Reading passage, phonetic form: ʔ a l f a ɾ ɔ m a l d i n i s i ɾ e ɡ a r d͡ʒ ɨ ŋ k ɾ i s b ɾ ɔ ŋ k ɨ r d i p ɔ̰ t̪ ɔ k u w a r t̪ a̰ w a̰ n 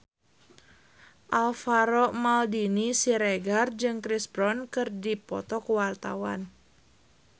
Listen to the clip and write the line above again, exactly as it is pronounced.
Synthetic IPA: ʔ a l f a ɾ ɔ m a l d i n i s i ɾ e ɡ a r d͡ʒ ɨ ŋ k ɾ i s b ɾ ɔ n k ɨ r d i p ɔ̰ t̪ ɔ k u w a r t̪ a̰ w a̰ n